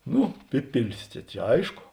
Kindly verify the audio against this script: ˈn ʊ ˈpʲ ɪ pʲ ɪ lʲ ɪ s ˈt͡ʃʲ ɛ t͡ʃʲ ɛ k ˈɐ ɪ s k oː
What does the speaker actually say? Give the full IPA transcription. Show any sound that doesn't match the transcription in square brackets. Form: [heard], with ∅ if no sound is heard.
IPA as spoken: ˈn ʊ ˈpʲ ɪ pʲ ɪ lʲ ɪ s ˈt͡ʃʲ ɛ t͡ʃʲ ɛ [∅] ˈɐ ɪ [ʃ] k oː